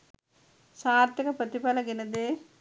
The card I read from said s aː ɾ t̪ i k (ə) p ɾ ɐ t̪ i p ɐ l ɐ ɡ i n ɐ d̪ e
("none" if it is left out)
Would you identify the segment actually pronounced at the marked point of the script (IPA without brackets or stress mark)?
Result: ɐ